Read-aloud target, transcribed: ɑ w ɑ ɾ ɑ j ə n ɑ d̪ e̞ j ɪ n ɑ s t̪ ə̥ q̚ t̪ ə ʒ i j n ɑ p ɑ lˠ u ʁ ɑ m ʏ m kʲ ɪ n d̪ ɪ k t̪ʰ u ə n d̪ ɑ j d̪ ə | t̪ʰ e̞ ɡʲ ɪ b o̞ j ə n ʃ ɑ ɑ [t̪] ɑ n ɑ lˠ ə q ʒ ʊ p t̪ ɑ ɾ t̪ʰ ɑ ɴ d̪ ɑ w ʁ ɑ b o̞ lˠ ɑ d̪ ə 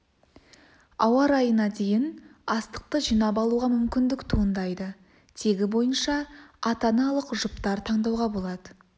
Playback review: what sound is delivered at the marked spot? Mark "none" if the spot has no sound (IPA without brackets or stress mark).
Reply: t̪